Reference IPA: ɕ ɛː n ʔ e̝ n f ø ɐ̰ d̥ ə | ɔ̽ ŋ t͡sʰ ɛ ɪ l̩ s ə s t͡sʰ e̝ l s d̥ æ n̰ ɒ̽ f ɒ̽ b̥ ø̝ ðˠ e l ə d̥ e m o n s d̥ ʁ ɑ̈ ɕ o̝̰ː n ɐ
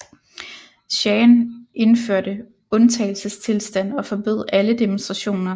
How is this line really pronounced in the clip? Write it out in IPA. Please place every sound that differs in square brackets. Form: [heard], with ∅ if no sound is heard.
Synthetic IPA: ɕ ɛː n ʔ e̝ n f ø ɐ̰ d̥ ə | ɔ̽ [n] t͡sʰ ɛ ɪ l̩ s ə s t͡sʰ e̝ l s d̥ æ n̰ ɒ̽ f ɒ̽ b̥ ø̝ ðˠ [æ] l ə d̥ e m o n s d̥ ʁ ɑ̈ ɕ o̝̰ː n ɐ